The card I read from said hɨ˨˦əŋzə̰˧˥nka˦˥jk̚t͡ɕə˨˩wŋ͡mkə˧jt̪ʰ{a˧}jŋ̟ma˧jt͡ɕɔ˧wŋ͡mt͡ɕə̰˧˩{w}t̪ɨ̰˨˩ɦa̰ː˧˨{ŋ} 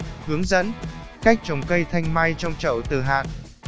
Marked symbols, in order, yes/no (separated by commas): yes, yes, no